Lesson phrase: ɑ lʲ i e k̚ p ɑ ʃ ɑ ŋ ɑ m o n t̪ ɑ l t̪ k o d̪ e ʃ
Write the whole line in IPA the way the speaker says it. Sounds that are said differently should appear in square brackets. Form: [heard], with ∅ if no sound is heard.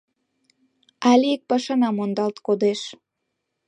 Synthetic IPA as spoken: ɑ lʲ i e k̚ p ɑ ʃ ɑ [n] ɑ m o n [d̪] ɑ l t̪ k o d̪ e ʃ